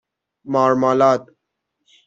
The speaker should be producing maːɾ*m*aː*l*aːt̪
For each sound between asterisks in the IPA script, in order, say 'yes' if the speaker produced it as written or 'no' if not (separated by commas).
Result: yes, yes